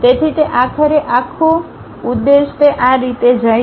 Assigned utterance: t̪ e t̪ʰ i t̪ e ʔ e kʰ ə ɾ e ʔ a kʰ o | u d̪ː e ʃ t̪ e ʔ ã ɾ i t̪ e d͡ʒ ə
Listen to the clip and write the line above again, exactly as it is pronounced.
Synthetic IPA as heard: t̪ e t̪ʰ i t̪ e ʔ a kʰ ə ɾ e ʔ a kʰ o | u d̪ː e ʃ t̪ e ʔ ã ɾ i t̪ e d͡ʒ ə